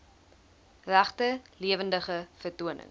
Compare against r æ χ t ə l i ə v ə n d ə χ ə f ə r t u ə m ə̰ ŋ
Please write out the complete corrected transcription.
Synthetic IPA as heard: r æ χ t ə l i ə v ə n d ə χ ə f ə r t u ə n ə̰ ŋ